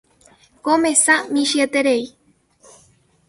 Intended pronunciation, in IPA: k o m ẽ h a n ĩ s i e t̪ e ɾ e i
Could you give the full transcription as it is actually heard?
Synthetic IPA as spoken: k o m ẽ s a m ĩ ʃ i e t̪ e ɾ e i

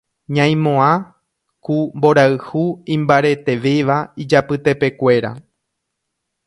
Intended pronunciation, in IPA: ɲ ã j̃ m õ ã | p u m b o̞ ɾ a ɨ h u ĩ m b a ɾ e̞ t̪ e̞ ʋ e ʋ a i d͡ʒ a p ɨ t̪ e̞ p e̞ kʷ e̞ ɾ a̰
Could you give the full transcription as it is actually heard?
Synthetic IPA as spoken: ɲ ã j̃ m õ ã | k u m b o̞ ɾ a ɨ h u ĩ m b a ɾ e̞ t̪ e̞ ʋ e ʋ a i d͡ʒ a p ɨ t̪ e̞ p e̞ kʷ e̞ ɾ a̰

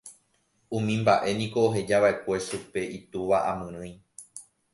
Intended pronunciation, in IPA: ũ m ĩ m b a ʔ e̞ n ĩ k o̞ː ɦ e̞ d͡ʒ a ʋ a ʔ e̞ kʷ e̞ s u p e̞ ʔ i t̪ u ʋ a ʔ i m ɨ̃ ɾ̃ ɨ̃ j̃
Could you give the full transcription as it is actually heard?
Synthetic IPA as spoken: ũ m ĩ m b a ʔ e̞ n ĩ k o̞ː ɦ e̞ d͡ʒ a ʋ a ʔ e̞ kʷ e̞ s u p e̞ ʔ i t̪ u ʋ a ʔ a m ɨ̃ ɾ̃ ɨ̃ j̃

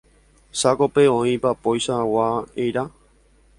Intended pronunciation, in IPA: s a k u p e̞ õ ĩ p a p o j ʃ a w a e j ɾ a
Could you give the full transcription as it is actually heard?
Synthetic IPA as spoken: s a k o p e̞ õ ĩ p a p o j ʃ a w a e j ɾ a

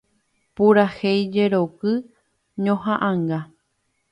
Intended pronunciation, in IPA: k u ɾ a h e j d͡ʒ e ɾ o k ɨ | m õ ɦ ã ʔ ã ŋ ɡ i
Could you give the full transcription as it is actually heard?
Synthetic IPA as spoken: p u ɾ a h e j d͡ʒ e ɾ o k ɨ | ɲ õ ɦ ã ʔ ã ŋ ɡ a

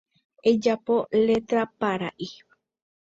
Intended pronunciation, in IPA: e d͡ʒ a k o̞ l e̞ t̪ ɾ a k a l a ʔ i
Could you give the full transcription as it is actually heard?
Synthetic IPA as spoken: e d͡ʒ a p o̞ l e̞ t̪ ɾ a p a ɾ a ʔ i

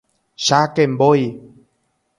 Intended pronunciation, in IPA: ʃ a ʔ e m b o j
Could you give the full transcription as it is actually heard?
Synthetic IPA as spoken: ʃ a k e m b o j

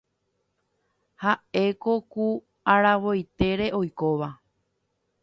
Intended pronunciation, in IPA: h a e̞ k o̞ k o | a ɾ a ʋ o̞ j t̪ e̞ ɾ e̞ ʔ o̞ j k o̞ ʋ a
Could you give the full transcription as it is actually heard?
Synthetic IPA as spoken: h a e̞ k o̞ k u | a ɾ a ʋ o̞ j t̪ e̞ ɾ e̞ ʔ o̞ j k o̞ ʋ a

